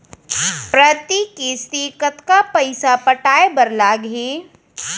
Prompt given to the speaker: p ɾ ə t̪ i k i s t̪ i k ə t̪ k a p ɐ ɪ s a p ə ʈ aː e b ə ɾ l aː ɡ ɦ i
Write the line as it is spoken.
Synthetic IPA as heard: p ɾ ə t̪ i k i s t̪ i k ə t̪ k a p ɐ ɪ s a p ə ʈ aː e b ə ɾ l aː ɡ ɦ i